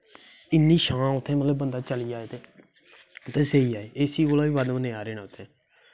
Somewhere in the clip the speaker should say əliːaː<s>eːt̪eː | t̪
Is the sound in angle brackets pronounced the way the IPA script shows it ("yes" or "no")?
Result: no